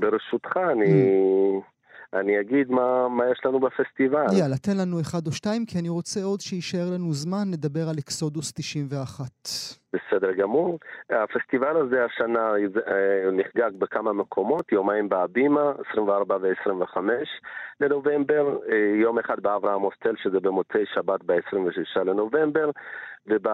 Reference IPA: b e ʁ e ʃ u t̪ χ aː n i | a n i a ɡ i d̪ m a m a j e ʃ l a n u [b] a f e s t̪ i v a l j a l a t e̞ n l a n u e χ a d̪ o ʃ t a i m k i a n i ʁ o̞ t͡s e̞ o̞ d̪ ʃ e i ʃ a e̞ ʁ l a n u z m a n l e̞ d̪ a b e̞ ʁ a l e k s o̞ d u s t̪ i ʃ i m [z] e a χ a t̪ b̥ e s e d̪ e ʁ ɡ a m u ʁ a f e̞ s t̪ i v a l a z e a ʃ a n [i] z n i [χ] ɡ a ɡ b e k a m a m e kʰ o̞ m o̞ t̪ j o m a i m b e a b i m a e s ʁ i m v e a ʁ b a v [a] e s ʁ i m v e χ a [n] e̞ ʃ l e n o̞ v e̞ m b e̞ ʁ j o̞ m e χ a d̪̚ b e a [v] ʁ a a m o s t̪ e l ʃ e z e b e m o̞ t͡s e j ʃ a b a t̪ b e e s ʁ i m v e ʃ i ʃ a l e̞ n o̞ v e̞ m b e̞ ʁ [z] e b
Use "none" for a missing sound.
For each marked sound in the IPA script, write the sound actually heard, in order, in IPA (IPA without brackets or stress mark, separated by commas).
b, v, a, χ, e, m, v, v